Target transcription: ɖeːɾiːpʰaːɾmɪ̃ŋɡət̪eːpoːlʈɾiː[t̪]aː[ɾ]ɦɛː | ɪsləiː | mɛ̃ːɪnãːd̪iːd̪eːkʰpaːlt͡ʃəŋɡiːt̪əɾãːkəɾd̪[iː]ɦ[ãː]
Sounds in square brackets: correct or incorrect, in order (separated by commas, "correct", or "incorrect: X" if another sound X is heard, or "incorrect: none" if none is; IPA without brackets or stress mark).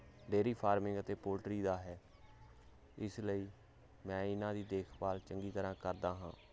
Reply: incorrect: d̪, incorrect: none, incorrect: aː, correct